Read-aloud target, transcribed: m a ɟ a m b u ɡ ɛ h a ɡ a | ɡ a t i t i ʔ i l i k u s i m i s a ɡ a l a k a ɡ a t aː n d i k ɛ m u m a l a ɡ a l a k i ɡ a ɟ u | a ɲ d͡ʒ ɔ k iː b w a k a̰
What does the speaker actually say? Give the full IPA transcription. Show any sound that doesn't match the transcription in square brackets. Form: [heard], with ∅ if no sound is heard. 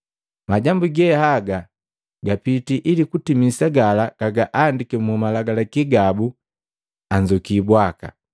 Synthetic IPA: m a ɟ a m b u ɡ ɛ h a ɡ a | ɡ a [p] i t i ʔ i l i k u [t] i m i s a ɡ a l a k a ɡ a [ʔ] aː n d i k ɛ m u m a l a ɡ a l a k i ɡ a [b] u | a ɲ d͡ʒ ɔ k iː b w a k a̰